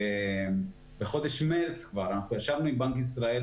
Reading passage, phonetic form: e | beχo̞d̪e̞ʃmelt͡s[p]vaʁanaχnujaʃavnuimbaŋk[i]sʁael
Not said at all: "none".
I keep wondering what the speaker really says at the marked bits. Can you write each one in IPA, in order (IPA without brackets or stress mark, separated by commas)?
k, i